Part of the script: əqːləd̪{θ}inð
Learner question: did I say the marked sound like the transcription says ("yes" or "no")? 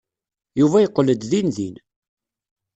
no